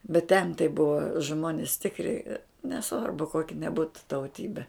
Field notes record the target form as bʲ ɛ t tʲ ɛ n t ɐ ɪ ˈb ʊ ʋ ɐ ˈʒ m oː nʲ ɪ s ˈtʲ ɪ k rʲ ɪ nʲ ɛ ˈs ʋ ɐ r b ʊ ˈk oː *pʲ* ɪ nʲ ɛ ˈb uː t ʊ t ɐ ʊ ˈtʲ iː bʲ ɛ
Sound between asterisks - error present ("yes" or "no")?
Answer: yes